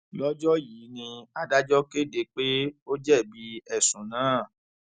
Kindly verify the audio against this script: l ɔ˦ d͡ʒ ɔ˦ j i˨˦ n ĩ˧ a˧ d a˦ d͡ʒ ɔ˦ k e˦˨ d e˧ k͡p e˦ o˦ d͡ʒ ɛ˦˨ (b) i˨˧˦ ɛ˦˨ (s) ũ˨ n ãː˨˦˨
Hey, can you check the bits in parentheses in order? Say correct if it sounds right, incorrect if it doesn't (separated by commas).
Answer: correct, correct